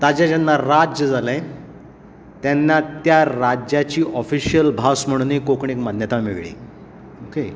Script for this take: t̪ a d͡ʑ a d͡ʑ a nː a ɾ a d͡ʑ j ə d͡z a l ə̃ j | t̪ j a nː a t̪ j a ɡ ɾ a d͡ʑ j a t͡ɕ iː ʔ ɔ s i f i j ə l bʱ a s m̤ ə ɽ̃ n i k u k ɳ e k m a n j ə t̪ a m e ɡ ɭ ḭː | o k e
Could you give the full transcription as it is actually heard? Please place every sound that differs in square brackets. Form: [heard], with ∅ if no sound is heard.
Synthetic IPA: t̪ a d͡ʑ a d͡ʑ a nː a ɾ a d͡ʑ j ə d͡z a l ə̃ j | t̪ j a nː a t̪ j a [∅] ɾ a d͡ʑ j a t͡ɕ iː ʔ ɔ [f] i [ɕ] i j ə l bʱ a s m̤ ə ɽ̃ n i k [o] k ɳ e k m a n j ə t̪ a m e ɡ ɭ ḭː | o k e

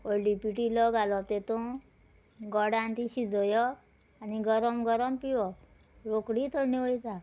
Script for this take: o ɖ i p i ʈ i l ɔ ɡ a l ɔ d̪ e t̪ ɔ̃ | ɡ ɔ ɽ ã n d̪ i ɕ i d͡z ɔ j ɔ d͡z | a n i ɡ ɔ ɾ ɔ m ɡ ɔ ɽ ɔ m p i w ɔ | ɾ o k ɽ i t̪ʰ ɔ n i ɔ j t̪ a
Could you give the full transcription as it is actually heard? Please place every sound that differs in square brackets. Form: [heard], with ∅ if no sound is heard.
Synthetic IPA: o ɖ i p i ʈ i l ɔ ɡ a l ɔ [t̪] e t̪ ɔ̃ | ɡ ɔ ɽ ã n [t̪] i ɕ i d͡z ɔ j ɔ [∅] | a n i ɡ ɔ ɾ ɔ m ɡ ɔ [ɾ] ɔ m p i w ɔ | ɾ o k ɽ i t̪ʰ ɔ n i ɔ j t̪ a

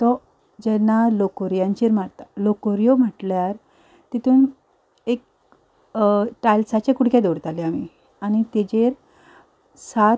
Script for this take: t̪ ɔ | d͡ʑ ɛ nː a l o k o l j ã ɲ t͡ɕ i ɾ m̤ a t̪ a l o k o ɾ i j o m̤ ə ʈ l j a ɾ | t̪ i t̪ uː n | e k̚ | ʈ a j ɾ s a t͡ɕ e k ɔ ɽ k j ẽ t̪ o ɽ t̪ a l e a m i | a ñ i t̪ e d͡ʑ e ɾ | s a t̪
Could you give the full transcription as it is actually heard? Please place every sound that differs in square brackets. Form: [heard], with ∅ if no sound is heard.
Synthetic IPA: t̪ ɔ | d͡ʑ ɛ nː a l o k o [ɾ] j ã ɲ t͡ɕ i ɾ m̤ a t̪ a l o k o ɾ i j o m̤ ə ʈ l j a ɾ | t̪ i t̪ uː n | e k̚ | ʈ a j [l] s a t͡ɕ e k [u] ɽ k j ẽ [d̪] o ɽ t̪ a l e a m i | a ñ i t̪ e d͡ʑ e ɾ | s a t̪

